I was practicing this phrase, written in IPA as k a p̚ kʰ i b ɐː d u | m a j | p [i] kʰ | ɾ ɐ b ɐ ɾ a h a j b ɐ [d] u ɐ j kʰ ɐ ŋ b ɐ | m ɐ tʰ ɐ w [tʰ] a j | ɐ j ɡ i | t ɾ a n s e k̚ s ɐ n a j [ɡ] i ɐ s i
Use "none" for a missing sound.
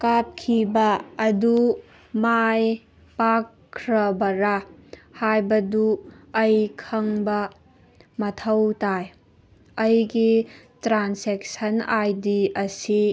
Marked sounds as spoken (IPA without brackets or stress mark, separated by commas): a, d, t, d